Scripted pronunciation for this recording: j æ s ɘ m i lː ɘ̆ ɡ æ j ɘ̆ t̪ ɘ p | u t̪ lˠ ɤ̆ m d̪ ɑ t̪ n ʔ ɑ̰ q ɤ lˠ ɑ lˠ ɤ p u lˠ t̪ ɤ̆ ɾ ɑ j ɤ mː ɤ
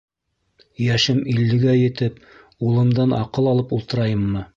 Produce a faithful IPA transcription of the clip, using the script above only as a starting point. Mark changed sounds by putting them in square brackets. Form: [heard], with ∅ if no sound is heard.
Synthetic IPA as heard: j æ [ʃ] ɘ m i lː ɘ̆ ɡ æ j ɘ̆ t̪ ɘ p | u [∅] lˠ ɤ̆ m d̪ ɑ [∅] n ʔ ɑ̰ q ɤ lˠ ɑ lˠ ɤ p u lˠ t̪ ɤ̆ ɾ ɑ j ɤ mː ɤ